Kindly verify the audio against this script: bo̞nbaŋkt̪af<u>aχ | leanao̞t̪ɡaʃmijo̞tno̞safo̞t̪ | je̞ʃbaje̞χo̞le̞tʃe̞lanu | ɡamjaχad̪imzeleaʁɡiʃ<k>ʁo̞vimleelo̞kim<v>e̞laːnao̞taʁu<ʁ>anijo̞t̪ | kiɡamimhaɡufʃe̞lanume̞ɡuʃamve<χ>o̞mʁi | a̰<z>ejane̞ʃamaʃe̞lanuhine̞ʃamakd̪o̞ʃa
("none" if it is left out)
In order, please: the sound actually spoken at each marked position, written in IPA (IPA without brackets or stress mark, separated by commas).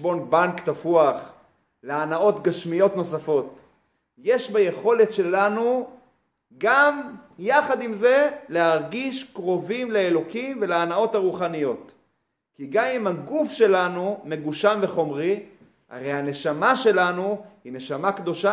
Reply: u, k, v, χ, χ, ʁ